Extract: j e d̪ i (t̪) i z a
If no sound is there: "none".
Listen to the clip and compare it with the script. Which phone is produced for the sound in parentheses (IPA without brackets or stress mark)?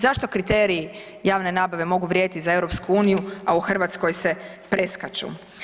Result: t̪